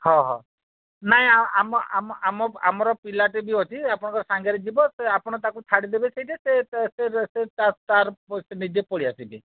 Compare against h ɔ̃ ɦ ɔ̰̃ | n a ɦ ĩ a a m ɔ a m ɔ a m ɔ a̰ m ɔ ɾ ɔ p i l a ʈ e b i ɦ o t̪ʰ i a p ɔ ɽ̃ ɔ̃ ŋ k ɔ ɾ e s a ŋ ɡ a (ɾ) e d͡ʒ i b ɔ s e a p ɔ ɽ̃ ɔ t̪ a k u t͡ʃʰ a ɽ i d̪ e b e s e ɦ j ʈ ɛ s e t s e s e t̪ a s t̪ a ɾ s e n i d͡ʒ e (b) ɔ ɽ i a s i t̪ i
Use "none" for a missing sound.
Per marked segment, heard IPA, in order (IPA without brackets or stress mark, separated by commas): ɾ, p